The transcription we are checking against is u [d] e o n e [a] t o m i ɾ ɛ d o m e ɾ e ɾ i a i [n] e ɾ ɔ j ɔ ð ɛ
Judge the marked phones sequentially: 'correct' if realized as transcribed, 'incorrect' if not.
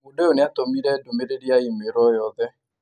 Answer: correct, correct, incorrect: m

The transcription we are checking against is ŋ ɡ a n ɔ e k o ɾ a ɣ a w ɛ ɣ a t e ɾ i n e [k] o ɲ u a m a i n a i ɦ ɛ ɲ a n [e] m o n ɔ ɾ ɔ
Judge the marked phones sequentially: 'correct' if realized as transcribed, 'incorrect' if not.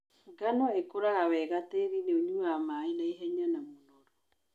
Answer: incorrect: none, incorrect: a

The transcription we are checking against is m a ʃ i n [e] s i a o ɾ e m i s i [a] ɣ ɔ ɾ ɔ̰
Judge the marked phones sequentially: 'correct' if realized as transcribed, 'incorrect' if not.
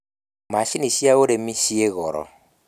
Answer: incorrect: i, incorrect: e

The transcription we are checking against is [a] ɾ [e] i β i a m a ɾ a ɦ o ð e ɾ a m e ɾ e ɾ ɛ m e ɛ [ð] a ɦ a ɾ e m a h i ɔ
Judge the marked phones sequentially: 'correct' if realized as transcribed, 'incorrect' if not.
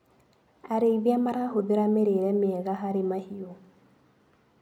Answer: correct, correct, incorrect: ɣ

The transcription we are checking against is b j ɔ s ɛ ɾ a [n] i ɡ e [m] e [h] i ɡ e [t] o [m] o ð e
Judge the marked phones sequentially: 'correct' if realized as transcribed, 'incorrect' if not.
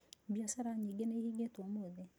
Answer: incorrect: ɲ, incorrect: n, correct, correct, correct

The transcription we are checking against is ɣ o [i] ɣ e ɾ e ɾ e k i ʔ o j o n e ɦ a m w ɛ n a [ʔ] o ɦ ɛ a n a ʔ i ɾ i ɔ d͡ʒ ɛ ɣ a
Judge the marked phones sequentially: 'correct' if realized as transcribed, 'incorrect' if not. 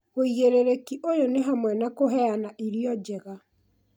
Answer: correct, incorrect: k

